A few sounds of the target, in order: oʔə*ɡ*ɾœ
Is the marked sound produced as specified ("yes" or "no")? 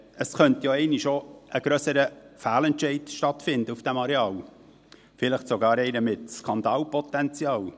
yes